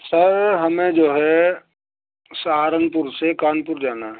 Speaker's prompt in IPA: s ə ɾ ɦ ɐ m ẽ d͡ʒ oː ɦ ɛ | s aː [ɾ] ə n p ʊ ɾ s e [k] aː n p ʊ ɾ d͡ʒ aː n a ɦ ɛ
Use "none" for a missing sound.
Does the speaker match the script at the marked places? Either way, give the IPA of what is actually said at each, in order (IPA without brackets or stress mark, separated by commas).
ɾ, k